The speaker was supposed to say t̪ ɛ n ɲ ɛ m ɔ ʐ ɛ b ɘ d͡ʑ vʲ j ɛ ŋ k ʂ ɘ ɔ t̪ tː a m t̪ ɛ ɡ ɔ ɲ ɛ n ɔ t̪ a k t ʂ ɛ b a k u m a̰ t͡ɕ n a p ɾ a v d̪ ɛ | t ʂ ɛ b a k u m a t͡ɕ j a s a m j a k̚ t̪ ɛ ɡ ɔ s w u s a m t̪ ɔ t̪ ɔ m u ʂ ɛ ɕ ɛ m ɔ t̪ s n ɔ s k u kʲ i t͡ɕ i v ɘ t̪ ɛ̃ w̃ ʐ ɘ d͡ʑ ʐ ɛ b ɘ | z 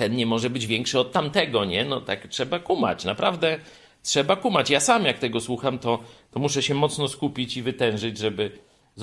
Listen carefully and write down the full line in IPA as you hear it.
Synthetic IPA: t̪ ɛ n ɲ ɛ m ɔ ʐ ɛ b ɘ d͡ʑ vʲ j ɛ ŋ k ʂ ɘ ɔ t̪ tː a m t̪ ɛ ɡ ɔ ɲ ɛ n ɔ t̪ a k t ʂ ɛ b a k u m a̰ t͡ɕ n a p ɾ a v d̪ ɛ | t ʂ ɛ b a k u m a t͡ɕ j a s a m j a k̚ t̪ ɛ ɡ ɔ s w u x a m t̪ ɔ t̪ ɔ m u ʂ ɛ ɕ ɛ m ɔ t̪ s n ɔ s k u pʲ i t͡ɕ i v ɘ t̪ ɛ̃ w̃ ʐ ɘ d͡ʑ ʐ ɛ b ɘ | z